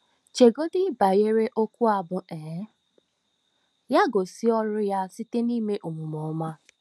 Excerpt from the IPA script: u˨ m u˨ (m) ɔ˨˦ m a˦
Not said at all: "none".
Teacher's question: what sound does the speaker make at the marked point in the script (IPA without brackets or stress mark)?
m